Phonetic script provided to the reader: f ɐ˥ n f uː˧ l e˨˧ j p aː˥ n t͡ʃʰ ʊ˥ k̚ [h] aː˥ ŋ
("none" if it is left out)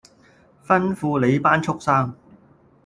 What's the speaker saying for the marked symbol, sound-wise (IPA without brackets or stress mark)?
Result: s